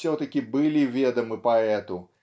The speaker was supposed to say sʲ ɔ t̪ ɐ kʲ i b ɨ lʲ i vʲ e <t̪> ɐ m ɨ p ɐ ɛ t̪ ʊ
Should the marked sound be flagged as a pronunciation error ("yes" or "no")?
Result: yes